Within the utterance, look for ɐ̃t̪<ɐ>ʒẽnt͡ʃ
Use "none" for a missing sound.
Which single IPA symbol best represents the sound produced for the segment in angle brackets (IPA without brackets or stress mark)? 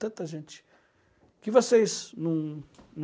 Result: ɐ